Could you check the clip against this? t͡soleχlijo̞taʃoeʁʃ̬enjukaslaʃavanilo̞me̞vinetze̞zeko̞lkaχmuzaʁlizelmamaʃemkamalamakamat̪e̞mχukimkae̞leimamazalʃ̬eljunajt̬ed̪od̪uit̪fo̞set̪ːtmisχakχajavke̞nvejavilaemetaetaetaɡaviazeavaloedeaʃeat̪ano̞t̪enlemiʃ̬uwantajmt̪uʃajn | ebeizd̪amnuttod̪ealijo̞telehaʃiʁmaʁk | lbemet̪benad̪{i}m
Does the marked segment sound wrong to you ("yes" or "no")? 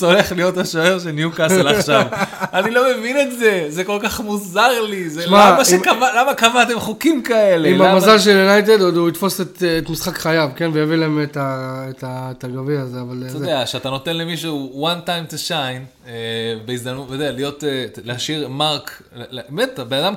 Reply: yes